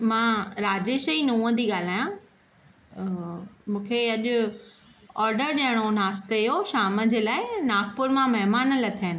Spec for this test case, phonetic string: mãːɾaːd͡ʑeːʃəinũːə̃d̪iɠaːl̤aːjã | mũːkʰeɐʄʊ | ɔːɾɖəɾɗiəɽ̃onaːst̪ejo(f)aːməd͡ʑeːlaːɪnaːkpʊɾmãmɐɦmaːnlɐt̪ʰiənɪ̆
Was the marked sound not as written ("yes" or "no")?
yes